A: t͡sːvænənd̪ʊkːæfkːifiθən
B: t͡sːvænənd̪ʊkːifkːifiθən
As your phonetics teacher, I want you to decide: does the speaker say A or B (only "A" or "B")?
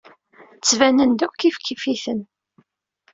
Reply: B